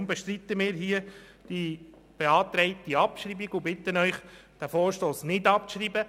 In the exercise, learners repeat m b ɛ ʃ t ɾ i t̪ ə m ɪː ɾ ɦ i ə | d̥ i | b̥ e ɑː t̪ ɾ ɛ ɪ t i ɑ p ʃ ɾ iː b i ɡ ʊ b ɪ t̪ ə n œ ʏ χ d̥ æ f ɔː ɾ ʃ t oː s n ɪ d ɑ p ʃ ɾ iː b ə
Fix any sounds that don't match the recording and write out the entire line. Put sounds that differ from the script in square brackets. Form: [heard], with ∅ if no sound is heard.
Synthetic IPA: m b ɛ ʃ t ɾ i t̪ ə m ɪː ɾ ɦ i ə | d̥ i | b̥ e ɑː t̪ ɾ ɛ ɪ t i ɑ p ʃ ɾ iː b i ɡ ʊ b ɪ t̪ ə n œ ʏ χ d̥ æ f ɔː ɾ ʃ t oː s n ɪ d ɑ p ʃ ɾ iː b ə